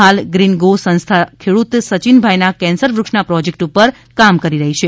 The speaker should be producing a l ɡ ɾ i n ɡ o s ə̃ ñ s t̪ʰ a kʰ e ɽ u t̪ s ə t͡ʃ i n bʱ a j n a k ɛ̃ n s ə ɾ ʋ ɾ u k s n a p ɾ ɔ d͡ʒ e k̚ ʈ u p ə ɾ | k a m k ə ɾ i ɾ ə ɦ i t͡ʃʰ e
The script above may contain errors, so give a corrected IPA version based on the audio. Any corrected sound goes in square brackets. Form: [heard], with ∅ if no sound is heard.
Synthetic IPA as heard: a l ɡ ɾ i n ɡ o s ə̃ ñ s t̪ʰ a kʰ e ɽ u t̪ s ə t͡ʃ i n bʱ a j n a k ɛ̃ n s ə ɾ ʋ ɾ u k [ʂ] n a p ɾ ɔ d͡ʒ e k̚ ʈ u p ə ɾ | k a m k ə ɾ i ɾ ə ɦ i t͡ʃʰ e